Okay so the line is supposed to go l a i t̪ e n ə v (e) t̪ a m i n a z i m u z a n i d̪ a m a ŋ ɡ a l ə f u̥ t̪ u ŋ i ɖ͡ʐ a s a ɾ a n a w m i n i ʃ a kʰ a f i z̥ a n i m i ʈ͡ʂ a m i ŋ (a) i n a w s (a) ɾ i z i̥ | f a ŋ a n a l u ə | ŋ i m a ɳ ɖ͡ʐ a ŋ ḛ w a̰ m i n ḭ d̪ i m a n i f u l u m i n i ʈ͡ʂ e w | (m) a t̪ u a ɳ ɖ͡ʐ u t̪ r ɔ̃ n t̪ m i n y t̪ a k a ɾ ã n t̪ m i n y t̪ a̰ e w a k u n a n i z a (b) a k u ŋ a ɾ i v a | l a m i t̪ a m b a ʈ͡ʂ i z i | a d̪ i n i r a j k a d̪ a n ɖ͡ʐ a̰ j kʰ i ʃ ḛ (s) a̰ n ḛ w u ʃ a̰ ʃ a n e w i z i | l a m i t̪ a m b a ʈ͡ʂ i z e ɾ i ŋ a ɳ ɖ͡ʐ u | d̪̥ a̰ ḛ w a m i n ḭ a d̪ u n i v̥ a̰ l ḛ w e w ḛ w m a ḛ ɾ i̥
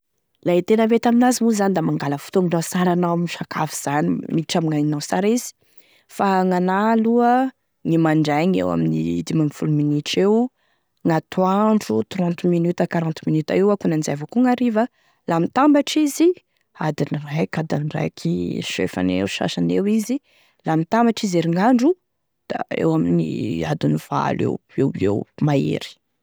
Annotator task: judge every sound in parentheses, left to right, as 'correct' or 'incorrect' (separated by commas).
correct, correct, correct, incorrect, incorrect, incorrect